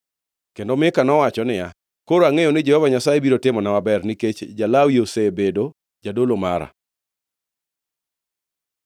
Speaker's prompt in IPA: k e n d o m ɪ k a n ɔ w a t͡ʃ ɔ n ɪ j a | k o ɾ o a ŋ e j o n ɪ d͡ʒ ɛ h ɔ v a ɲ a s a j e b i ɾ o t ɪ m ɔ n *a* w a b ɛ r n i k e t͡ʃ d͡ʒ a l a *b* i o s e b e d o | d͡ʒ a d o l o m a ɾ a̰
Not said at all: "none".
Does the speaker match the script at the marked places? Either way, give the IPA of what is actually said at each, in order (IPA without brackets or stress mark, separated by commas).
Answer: a, w